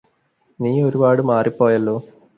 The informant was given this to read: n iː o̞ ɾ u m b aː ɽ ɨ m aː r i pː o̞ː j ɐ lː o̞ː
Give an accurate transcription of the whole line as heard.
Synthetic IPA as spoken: n iː o̞ ɾ u b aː ɽ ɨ m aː r i pː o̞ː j ɐ lː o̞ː